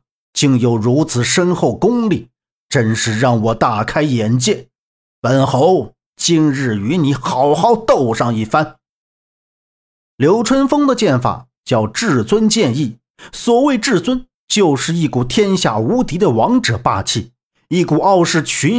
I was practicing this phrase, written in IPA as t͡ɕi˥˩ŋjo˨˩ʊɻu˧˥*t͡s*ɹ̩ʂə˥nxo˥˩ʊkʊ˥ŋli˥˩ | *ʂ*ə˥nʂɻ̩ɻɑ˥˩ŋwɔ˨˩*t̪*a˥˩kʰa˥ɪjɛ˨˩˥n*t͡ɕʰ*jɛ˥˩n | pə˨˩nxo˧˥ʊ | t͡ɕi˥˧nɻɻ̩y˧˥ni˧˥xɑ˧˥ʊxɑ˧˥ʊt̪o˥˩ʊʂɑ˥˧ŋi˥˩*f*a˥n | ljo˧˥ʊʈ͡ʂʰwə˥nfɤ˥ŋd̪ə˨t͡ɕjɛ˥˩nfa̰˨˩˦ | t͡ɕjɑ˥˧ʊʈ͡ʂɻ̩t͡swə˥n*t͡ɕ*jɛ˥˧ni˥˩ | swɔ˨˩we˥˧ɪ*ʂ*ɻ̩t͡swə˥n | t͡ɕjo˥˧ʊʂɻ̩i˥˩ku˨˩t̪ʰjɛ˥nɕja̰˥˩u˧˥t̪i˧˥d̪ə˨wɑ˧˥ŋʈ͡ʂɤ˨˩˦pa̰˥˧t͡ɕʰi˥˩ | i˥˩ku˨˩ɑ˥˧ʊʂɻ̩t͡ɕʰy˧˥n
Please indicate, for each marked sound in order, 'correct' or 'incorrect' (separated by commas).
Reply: incorrect, incorrect, correct, incorrect, correct, correct, incorrect